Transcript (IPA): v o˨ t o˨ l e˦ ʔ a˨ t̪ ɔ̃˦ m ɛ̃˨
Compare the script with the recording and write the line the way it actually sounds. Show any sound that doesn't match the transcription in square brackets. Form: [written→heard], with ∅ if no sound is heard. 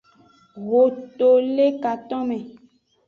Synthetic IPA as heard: [v→ɣ] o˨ t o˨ l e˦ [ʔ→k] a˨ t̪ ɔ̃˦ m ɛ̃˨